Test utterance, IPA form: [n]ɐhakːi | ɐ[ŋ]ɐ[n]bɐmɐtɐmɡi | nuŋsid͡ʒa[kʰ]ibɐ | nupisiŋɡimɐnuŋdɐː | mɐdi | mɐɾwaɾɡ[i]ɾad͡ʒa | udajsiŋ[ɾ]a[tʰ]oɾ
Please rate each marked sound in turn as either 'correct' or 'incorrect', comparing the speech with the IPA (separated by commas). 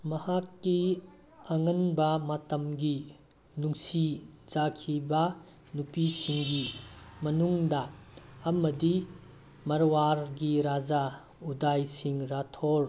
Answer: incorrect, correct, correct, correct, correct, correct, correct